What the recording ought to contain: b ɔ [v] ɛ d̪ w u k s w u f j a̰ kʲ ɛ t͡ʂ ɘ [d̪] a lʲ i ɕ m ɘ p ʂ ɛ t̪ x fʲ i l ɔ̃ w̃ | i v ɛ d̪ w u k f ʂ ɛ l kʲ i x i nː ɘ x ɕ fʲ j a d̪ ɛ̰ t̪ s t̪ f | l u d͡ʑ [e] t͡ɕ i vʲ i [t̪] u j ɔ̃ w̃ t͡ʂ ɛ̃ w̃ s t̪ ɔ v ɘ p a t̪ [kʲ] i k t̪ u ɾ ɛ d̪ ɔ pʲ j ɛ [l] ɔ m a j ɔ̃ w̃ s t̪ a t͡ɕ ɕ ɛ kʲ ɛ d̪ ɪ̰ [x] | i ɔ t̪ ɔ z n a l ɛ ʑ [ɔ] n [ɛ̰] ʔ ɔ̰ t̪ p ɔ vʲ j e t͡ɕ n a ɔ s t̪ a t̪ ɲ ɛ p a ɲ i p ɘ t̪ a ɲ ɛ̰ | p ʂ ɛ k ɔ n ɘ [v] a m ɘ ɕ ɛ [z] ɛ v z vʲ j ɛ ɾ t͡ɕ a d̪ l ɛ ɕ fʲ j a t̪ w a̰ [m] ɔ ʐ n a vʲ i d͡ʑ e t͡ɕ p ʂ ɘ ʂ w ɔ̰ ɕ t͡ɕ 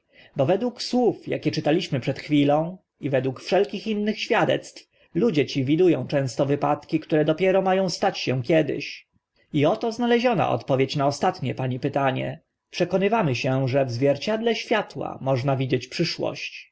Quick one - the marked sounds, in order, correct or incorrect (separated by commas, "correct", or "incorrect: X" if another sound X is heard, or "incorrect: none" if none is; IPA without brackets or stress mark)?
correct, incorrect: t̪, incorrect: ɛ, incorrect: d̪, correct, incorrect: ɾ, incorrect: ɕ, correct, incorrect: a̰, correct, incorrect: ʐ, correct